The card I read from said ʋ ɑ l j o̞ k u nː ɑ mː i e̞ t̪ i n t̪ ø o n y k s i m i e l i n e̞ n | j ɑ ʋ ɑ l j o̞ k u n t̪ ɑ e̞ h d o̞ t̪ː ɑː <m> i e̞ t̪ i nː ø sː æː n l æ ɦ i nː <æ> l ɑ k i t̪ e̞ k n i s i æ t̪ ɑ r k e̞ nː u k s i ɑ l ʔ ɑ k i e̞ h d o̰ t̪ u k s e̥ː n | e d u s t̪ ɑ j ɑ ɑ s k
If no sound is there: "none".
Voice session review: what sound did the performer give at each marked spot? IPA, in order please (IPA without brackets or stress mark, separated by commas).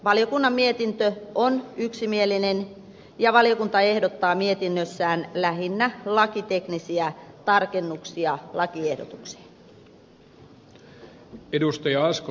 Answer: m, æ